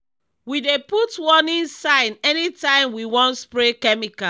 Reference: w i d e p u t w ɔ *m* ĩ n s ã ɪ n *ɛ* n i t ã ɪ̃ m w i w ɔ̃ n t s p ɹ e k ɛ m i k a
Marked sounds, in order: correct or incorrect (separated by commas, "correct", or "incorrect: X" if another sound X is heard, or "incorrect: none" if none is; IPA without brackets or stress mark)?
incorrect: n, correct